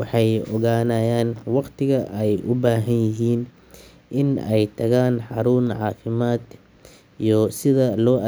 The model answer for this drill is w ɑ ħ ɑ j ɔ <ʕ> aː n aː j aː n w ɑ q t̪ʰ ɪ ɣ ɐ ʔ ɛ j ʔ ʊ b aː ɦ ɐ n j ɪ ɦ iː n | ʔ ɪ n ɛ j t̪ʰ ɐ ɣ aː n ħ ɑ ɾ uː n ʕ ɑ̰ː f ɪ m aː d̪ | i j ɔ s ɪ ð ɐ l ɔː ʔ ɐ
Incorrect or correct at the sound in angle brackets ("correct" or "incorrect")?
incorrect